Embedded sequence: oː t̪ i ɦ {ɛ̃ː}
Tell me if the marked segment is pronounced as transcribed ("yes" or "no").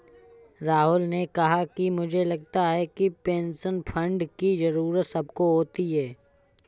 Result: no